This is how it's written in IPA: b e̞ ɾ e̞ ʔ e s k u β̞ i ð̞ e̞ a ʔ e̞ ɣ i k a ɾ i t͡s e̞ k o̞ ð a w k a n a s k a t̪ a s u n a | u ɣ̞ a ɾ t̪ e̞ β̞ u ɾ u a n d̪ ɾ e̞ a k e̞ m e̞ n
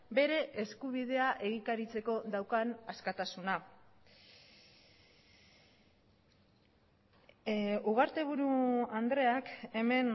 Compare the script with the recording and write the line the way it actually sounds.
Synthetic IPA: b e̞ ɾ e̞ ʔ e s k u β̞ i ð̞ e̞ a ʔ e̞ ɣ i k a ɾ i t͡s e̞ k o̞ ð a w k a n a s k a t̪ a s u n a | u ɣ̞ a ɾ t̪ e̞ β̞ u ɾ u a n d̪ ɾ e̞ a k e̞ m e̞ n